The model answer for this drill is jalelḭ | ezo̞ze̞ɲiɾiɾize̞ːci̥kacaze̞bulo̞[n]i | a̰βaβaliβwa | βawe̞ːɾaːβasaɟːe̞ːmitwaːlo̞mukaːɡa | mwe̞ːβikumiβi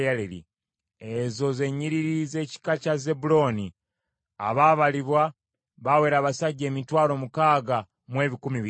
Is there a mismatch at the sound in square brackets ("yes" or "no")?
no